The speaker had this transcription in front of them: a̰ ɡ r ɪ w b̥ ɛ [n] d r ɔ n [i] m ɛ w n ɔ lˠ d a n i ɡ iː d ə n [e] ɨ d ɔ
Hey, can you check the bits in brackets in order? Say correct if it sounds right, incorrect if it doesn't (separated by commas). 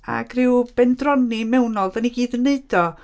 correct, correct, correct